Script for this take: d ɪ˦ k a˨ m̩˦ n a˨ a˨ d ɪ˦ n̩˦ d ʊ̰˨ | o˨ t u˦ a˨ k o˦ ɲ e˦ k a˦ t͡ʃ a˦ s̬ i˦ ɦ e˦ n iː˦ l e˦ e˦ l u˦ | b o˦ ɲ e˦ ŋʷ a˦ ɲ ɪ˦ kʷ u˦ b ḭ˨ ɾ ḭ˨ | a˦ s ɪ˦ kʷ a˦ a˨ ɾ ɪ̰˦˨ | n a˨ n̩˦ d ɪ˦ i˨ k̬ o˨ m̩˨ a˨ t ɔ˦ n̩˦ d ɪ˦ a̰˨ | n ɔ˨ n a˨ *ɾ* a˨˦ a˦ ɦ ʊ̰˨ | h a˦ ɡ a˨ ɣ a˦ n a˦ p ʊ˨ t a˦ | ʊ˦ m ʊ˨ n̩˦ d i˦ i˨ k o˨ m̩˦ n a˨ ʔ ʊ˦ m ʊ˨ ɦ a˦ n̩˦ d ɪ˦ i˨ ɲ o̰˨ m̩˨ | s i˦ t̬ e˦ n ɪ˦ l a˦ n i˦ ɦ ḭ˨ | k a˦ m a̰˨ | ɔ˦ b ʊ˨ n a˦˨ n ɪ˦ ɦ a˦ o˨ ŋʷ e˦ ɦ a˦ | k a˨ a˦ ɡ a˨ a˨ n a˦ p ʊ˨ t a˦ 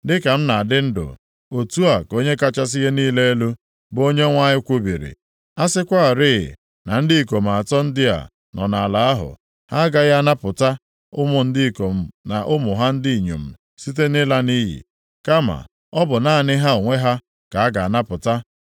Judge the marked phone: incorrect: l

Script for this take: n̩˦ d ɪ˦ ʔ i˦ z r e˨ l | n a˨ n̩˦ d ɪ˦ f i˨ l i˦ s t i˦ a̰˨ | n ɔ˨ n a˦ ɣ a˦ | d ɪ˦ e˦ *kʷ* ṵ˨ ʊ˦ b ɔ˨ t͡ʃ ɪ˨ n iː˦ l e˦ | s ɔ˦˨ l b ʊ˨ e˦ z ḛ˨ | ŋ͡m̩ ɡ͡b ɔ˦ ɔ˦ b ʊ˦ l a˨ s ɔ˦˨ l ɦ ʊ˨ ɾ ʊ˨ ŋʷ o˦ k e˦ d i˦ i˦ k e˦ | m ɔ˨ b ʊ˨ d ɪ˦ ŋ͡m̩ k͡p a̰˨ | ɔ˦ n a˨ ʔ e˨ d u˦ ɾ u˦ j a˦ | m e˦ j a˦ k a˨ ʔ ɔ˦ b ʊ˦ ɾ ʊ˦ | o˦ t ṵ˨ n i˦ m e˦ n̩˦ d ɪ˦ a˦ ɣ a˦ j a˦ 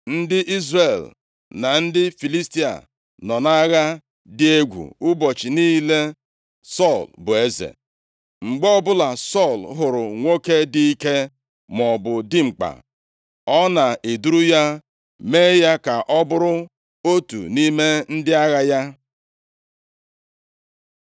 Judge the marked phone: incorrect: ɡʷ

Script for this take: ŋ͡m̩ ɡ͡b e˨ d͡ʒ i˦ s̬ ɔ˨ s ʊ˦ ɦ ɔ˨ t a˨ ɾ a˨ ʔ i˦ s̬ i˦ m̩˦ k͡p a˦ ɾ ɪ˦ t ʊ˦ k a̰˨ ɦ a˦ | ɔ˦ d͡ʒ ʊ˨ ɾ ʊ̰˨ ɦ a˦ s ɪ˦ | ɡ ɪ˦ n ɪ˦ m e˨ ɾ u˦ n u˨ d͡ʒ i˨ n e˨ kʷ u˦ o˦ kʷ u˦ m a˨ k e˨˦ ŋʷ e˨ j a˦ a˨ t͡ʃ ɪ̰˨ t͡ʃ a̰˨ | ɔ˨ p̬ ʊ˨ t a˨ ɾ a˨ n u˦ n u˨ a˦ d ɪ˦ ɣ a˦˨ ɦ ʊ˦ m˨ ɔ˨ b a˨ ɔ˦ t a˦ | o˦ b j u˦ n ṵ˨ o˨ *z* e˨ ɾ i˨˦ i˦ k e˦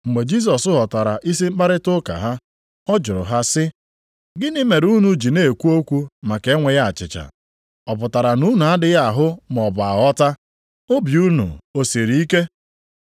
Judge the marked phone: incorrect: s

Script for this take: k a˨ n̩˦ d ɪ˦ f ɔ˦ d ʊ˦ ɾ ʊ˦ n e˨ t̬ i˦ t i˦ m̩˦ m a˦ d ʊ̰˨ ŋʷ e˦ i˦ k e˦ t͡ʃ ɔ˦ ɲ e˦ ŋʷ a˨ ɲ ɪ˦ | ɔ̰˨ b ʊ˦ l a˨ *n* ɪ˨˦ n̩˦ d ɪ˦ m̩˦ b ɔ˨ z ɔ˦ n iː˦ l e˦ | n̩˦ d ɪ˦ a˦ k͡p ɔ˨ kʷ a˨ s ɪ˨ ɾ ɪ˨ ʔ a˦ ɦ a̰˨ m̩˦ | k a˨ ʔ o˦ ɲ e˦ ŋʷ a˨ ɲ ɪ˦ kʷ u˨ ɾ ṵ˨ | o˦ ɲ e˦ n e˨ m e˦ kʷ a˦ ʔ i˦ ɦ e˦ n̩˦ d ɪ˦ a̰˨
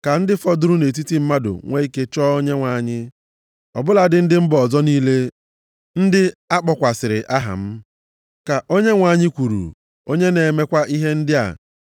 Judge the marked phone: incorrect: d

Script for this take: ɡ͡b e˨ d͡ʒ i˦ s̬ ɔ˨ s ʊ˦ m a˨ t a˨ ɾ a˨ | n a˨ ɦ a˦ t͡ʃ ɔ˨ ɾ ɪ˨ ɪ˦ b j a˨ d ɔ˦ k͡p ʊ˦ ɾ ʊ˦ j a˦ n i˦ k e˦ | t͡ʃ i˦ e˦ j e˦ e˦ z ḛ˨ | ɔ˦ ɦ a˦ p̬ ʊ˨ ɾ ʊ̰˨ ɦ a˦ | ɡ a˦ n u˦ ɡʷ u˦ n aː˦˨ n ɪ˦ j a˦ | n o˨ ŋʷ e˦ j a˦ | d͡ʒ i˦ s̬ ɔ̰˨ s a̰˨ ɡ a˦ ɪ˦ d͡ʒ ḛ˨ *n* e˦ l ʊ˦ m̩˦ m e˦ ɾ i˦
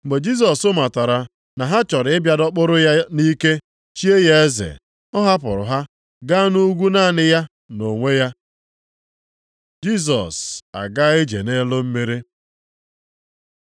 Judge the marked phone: correct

